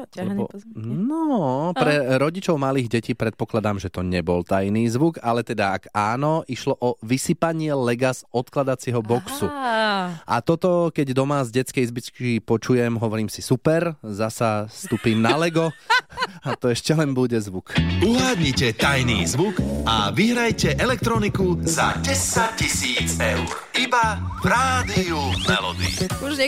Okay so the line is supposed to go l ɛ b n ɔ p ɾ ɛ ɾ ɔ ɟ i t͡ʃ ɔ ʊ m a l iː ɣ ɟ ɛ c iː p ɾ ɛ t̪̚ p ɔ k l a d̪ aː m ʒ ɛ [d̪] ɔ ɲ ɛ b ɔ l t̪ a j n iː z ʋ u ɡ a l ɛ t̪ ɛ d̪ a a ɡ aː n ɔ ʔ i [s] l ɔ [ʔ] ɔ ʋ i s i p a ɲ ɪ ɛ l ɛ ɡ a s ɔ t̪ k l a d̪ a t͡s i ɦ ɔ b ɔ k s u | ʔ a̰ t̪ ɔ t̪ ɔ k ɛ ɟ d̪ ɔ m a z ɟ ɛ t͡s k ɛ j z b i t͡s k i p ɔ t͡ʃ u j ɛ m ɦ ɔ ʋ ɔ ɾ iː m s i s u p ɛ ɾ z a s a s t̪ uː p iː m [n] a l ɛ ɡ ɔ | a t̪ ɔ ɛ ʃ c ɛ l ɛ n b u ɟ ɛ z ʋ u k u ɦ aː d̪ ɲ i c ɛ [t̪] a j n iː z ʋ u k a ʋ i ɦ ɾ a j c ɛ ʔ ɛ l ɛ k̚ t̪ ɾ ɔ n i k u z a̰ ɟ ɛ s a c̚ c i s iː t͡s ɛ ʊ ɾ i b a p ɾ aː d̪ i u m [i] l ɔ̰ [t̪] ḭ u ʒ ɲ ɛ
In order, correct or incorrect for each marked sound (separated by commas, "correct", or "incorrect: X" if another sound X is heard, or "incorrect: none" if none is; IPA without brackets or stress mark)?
incorrect: t̪, incorrect: ʃ, correct, correct, correct, incorrect: ɛ, incorrect: d̪